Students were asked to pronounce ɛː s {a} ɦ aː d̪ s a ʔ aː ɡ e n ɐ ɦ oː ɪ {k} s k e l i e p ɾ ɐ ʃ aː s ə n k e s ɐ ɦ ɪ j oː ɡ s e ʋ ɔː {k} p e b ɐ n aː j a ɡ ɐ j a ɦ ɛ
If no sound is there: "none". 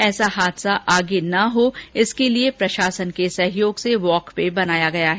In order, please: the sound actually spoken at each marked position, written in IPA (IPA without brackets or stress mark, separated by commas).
a, none, k